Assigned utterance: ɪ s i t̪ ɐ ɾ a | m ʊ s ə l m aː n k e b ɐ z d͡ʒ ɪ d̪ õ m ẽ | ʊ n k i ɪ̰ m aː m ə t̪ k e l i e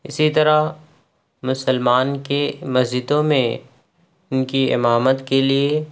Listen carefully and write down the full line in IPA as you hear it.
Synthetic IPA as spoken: ɪ s i t̪ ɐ ɾ a | m ʊ s ə l m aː n k e m ɐ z d͡ʒ ɪ d̪ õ m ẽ | ʊ n k i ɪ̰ m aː m ə t̪ k e l i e